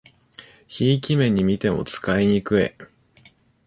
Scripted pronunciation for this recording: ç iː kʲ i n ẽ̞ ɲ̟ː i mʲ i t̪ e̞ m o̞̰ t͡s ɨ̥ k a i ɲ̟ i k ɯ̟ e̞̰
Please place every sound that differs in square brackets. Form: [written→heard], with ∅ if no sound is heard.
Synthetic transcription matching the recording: ç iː kʲ i [n→m] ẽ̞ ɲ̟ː i mʲ i t̪ e̞ m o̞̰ t͡s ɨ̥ k a i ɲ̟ i k ɯ̟ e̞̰